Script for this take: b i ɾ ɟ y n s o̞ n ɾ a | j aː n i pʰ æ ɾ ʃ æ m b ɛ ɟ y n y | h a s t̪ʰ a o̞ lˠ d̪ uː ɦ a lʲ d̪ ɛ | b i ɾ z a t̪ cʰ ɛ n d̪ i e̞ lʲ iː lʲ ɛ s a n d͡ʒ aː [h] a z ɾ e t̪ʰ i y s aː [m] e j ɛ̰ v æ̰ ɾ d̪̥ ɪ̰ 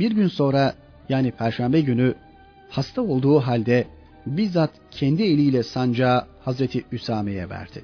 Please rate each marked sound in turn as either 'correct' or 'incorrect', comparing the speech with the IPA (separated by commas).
correct, correct